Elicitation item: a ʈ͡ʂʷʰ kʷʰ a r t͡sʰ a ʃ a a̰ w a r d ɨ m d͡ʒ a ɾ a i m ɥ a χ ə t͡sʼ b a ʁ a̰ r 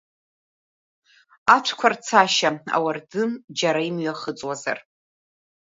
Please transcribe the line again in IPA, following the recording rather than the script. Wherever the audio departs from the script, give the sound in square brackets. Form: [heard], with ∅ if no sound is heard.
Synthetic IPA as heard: a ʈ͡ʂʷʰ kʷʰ a r t͡sʰ a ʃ a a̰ w a r d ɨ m d͡ʒ a ɾ a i m ɥ a χ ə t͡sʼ [w] a [z] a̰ r